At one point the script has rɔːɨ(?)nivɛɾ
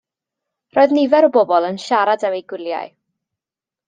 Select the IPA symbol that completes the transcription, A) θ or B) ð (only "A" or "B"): B